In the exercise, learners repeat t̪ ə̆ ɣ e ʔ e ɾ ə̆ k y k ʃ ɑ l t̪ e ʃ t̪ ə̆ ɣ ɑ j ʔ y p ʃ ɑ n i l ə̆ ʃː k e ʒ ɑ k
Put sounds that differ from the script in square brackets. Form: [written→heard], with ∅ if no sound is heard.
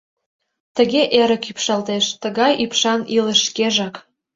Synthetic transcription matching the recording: t̪ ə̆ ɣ e ʔ e ɾ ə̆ k y [k→p] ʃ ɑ l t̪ e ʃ t̪ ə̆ ɣ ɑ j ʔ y p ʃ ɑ n i l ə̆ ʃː k e ʒ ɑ k